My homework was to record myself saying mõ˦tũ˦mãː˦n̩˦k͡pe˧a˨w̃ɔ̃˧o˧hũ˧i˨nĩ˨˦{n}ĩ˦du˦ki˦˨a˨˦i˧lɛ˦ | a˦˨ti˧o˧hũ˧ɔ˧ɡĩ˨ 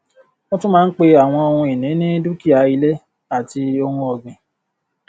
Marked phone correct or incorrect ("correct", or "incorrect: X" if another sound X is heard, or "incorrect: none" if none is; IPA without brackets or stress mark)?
correct